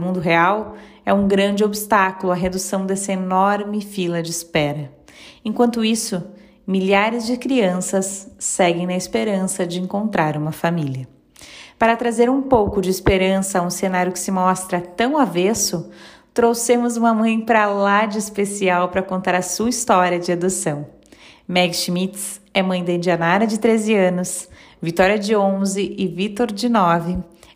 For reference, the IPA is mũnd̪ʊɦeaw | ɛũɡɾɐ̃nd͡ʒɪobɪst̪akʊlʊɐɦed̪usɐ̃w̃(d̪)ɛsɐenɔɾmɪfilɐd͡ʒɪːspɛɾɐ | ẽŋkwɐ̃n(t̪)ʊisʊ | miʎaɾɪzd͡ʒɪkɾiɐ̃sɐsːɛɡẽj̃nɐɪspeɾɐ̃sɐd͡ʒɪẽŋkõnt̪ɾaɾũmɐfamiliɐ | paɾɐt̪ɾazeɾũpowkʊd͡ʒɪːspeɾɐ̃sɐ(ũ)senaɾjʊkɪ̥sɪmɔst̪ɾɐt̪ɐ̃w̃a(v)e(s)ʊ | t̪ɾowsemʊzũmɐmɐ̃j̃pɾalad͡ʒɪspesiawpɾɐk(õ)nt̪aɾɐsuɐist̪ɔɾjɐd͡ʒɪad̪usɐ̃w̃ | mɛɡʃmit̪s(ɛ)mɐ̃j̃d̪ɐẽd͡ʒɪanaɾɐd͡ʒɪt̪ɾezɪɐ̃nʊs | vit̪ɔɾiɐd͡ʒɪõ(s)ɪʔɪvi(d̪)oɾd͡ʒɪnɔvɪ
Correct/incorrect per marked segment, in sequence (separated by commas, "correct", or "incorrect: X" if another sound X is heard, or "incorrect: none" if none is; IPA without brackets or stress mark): correct, correct, correct, correct, correct, correct, correct, incorrect: z, incorrect: t̪